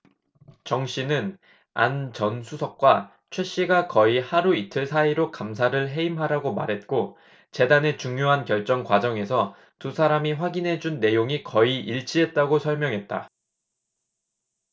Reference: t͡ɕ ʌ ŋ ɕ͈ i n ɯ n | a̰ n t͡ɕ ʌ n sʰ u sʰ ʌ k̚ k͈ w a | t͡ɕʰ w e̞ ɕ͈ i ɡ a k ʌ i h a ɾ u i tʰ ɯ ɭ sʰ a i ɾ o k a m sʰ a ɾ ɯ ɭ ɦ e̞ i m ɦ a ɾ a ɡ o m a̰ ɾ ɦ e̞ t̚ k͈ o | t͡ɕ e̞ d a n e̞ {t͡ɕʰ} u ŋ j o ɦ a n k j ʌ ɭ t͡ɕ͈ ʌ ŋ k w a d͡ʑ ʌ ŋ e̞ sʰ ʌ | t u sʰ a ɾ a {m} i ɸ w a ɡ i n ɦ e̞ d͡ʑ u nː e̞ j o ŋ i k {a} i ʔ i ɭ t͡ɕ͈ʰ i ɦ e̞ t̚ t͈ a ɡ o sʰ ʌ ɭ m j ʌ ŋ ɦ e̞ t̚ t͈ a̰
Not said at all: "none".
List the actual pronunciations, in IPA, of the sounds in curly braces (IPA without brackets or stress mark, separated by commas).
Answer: t͡ɕ, m, ʌ